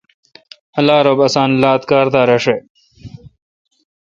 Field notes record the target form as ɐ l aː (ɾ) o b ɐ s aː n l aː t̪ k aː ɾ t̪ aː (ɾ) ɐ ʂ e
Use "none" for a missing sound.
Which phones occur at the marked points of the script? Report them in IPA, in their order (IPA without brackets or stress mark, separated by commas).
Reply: ɾ, ɾ